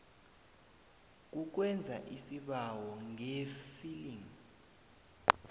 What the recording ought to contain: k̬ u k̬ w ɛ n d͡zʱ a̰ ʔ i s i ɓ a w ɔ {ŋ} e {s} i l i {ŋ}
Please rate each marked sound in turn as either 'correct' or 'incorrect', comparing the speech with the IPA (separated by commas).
correct, incorrect, correct